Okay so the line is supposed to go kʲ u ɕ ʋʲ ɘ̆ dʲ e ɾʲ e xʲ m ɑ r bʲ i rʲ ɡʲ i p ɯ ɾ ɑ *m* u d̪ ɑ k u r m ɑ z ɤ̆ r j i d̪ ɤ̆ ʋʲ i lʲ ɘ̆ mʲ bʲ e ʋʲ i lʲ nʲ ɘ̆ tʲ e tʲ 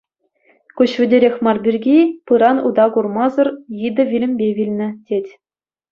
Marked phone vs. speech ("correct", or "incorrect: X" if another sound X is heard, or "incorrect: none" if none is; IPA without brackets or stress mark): incorrect: n